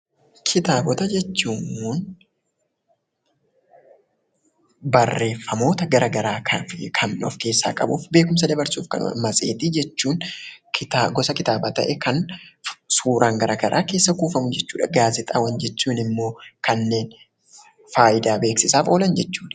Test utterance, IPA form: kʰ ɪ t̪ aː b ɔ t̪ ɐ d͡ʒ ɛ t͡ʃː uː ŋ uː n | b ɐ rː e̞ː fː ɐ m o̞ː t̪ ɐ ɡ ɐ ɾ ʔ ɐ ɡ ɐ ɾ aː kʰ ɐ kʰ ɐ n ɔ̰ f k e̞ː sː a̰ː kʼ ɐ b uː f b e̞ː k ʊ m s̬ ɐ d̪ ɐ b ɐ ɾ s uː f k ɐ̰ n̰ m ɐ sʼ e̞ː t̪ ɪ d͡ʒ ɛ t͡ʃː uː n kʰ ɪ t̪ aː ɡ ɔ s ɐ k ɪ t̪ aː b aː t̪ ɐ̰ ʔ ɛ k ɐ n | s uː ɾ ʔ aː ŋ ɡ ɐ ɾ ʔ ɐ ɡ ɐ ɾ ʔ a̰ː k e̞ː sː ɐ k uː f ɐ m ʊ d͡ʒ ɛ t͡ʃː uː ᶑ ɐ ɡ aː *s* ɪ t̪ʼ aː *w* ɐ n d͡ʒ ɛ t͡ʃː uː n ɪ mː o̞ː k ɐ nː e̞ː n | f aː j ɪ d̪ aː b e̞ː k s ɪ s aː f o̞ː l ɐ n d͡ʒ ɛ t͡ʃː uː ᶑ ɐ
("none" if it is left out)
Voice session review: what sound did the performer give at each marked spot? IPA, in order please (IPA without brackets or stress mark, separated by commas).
z, w